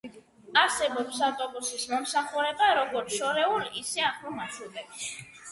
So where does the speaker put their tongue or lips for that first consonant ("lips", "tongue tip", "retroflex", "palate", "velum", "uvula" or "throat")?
tongue tip